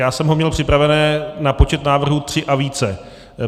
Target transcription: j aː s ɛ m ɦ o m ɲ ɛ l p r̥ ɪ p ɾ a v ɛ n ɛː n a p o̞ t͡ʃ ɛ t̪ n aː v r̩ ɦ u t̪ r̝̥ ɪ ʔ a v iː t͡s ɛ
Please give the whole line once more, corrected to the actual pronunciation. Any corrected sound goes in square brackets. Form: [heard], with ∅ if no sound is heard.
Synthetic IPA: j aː s ɛ m ɦ o m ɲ ɛ l p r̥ ɪ p ɾ a v ɛ n ɛː n a p o̞ t͡ʃ ɛ t̪ n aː v r̩ ɦ u t̪ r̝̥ ɪ ʔ a v iː t͡s ɛ